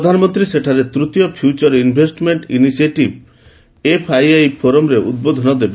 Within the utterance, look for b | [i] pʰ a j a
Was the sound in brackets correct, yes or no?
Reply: no